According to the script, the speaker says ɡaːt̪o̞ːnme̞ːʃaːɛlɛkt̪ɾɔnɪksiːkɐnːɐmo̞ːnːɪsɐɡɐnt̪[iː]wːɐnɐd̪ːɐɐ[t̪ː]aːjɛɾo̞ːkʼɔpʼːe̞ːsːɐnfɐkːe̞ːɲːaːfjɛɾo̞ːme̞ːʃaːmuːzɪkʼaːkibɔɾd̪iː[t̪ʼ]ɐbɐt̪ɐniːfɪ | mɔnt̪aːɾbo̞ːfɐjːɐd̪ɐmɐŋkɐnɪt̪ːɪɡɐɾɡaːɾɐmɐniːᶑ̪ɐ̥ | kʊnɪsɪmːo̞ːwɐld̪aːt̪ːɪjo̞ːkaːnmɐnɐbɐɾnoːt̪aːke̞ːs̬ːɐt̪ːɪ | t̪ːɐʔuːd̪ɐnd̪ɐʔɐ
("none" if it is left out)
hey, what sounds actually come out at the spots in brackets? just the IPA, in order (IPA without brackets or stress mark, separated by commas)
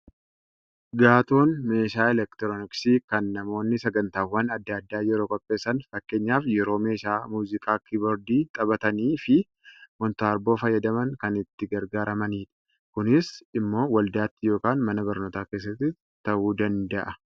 aː, d̪ː, t̪ʼ